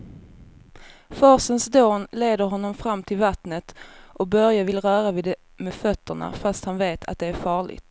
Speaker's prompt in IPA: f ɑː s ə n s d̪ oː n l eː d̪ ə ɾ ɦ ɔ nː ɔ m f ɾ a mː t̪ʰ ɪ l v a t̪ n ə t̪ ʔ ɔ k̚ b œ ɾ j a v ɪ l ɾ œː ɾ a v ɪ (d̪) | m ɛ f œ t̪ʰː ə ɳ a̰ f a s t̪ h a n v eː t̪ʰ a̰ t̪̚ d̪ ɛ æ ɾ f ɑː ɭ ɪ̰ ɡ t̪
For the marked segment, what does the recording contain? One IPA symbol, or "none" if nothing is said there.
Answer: d̪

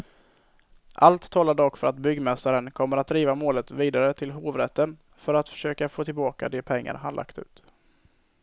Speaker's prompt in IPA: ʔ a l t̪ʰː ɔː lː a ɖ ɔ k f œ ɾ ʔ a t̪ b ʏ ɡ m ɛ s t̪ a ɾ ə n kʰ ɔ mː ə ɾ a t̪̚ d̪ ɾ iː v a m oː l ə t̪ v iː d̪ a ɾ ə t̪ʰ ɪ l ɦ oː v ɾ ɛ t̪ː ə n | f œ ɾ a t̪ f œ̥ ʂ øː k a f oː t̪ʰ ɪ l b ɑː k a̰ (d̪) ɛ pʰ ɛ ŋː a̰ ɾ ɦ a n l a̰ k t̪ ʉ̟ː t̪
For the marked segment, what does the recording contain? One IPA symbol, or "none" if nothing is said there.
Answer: d̪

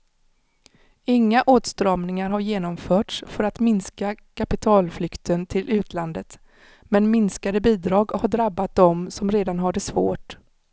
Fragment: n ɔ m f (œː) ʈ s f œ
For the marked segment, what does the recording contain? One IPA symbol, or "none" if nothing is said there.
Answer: œː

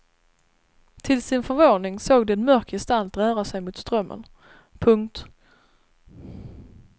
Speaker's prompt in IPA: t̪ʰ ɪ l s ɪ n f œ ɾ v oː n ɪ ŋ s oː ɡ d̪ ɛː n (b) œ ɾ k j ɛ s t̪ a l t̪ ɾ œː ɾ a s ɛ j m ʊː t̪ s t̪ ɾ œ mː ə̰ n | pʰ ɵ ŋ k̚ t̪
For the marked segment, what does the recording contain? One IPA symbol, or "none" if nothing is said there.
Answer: m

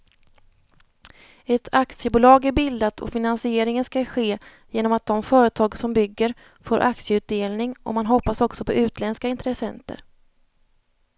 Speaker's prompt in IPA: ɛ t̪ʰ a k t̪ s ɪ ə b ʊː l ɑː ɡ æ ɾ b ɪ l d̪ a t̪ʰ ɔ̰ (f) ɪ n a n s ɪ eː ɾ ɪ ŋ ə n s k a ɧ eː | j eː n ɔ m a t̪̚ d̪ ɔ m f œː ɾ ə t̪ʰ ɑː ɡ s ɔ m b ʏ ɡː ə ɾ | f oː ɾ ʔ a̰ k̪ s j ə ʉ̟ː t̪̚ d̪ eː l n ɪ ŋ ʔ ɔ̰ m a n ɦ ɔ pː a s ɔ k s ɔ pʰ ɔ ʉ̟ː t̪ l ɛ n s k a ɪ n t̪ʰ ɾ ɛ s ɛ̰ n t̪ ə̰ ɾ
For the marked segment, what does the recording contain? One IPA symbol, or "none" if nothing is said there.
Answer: f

